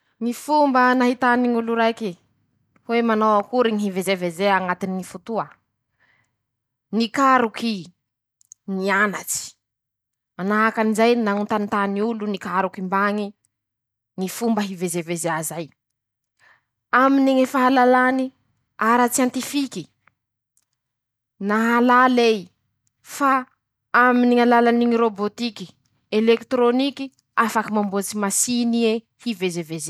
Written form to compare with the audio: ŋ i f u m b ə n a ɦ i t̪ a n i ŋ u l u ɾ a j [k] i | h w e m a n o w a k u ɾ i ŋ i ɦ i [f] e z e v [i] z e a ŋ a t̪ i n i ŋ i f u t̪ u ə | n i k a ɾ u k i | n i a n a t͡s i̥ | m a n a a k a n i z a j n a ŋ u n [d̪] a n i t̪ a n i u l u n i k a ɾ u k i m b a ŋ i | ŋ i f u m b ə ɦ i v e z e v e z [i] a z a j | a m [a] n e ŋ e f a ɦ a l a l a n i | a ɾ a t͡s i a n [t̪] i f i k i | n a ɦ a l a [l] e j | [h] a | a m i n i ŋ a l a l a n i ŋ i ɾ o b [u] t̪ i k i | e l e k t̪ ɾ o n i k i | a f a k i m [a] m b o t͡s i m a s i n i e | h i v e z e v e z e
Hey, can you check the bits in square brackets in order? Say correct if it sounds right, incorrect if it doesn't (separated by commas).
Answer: correct, incorrect, incorrect, incorrect, incorrect, incorrect, correct, correct, incorrect, incorrect, correct